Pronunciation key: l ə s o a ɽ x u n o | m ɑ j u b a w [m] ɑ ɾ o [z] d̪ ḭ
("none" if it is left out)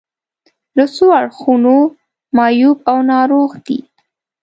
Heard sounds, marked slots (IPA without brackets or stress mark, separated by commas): n, ɣ